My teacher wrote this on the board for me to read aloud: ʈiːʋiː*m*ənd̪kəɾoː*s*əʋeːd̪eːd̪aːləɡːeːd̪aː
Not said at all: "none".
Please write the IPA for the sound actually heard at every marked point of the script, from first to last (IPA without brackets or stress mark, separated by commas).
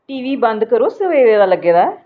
b, s